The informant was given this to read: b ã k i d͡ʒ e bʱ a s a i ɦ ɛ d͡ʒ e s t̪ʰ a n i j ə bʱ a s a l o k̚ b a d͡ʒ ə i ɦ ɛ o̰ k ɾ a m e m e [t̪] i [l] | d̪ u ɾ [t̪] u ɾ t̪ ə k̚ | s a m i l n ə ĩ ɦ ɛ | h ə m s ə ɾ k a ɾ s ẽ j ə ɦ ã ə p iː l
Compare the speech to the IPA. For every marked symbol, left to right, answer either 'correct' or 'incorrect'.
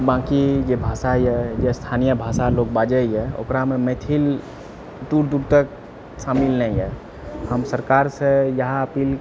incorrect: t̪ʰ, correct, incorrect: d̪

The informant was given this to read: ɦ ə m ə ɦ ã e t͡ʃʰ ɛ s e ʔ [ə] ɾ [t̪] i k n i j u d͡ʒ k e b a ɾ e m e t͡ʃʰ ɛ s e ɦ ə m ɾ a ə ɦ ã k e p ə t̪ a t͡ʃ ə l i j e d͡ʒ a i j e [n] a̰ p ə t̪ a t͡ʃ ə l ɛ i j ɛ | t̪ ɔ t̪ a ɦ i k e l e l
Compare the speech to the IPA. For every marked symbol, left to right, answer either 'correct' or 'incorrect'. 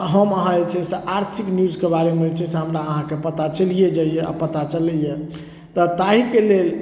incorrect: a, incorrect: t̪ʰ, incorrect: none

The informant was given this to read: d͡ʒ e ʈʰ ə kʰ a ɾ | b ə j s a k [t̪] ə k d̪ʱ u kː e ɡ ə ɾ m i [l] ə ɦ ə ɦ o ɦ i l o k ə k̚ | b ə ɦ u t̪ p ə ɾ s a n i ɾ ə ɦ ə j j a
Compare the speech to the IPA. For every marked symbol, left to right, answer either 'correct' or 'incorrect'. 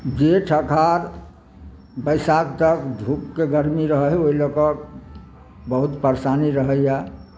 correct, incorrect: ɾ

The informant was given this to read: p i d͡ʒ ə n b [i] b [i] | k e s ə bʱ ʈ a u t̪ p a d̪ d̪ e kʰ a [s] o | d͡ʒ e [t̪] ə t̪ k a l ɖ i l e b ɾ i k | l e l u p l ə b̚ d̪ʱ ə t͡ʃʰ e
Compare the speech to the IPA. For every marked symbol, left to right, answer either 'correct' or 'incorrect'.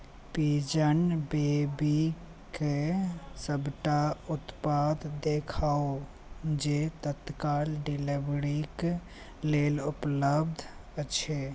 incorrect: e, correct, incorrect: none, correct

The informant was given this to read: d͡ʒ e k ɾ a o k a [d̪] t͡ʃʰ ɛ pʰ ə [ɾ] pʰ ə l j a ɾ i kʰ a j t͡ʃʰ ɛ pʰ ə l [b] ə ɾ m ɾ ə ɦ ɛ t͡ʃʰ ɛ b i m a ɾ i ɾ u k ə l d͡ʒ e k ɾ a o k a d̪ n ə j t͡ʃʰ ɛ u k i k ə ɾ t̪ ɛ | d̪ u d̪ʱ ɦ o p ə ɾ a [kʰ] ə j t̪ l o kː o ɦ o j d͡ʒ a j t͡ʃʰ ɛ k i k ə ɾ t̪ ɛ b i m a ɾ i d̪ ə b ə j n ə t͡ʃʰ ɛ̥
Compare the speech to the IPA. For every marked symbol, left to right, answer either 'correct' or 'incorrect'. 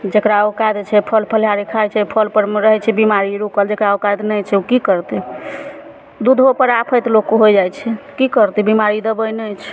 correct, incorrect: l, incorrect: p, incorrect: pʰ

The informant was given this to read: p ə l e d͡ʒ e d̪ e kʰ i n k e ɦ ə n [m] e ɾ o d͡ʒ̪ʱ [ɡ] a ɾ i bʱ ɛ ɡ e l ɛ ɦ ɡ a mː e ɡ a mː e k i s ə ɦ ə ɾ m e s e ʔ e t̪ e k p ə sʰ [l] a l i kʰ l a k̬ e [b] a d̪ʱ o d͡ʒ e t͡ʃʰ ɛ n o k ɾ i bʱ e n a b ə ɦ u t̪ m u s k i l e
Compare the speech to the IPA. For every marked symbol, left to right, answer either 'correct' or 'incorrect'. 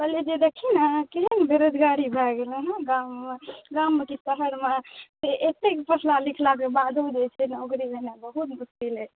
incorrect: b, correct, correct, correct

